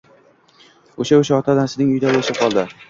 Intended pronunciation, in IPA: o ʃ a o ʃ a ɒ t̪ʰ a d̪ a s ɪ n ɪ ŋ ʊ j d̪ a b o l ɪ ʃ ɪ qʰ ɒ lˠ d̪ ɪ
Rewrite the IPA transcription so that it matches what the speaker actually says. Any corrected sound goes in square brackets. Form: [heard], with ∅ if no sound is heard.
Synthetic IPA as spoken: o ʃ a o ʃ a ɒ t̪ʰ a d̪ a s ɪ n ɪ ŋ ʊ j d̪ a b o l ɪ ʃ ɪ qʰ ɒ lˠ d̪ ɪ